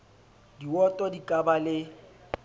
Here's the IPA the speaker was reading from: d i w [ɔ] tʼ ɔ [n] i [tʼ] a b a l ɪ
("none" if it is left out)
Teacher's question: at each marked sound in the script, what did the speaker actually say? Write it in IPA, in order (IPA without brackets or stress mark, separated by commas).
ɔ, d, kʼ